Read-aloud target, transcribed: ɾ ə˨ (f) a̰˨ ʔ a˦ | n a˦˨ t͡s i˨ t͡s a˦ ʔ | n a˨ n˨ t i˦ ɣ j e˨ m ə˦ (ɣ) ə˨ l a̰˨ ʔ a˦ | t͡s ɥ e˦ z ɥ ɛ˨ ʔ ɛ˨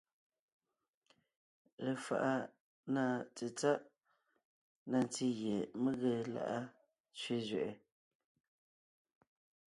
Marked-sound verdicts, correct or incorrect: correct, correct

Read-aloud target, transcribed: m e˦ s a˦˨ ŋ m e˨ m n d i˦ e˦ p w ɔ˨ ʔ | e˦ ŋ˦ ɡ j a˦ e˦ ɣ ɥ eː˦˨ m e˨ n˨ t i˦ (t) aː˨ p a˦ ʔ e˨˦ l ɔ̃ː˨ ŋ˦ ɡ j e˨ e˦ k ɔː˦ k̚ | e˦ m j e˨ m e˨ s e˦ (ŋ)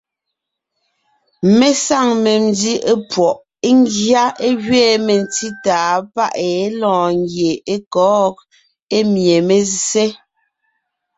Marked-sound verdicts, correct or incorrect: correct, incorrect

